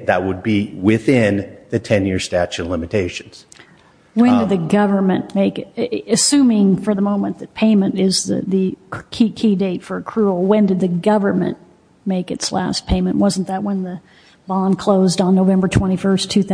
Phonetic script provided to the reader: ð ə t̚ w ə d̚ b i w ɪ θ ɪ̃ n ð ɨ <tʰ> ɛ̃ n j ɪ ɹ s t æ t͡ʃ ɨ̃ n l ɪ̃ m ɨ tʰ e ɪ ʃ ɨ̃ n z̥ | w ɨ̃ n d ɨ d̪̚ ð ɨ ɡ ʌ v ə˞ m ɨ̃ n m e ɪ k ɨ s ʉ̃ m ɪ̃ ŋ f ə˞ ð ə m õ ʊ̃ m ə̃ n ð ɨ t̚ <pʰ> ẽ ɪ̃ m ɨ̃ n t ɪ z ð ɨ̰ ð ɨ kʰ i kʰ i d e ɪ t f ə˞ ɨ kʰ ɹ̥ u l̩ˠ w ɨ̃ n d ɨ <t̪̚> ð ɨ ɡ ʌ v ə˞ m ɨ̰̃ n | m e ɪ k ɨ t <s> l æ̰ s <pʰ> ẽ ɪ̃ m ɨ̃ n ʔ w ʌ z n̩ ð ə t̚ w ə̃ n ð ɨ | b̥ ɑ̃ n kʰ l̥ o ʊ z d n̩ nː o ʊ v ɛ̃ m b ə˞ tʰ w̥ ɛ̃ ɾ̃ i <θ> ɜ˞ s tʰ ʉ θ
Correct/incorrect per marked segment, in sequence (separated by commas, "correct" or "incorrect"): correct, correct, incorrect, correct, correct, incorrect